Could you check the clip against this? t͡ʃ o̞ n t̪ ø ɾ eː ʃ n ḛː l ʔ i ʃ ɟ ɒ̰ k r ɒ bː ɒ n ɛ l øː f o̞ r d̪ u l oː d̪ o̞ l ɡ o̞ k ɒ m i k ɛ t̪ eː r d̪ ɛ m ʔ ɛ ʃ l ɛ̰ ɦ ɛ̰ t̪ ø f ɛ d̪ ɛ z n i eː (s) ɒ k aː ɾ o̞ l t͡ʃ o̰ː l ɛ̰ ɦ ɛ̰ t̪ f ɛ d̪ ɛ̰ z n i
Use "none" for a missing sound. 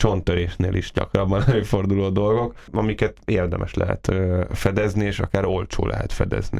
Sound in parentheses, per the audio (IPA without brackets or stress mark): ʃ